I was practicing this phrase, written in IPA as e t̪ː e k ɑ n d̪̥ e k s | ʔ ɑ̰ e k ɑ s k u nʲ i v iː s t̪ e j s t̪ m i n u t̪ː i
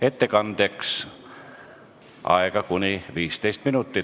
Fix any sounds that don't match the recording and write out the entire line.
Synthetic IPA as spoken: e t̪ː e k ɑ n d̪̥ e k s | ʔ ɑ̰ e k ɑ k u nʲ i ʋ iː s t̪ e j s t̪ m i n u t̪ː i